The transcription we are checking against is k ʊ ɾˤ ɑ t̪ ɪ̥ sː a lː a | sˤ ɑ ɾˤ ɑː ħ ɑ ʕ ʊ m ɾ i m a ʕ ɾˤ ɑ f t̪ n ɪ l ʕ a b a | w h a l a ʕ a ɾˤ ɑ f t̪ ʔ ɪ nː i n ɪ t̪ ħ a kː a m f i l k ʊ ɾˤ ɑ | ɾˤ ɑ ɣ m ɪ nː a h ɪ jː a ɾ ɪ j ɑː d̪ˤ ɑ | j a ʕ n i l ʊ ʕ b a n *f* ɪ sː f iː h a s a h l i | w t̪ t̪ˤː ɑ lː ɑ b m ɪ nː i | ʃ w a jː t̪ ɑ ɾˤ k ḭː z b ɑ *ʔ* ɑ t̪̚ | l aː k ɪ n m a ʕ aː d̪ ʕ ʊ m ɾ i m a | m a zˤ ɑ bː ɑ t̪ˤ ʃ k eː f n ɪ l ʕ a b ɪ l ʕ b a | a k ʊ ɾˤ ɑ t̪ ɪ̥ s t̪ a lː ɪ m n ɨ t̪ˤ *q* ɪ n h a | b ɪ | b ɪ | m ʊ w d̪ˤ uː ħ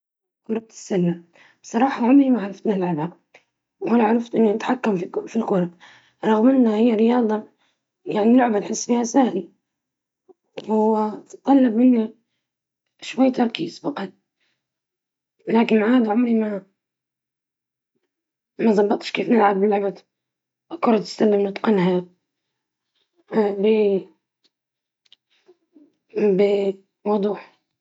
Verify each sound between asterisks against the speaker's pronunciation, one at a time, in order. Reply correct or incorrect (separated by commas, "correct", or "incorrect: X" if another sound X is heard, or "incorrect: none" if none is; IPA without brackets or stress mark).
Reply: incorrect: ħ, incorrect: q, correct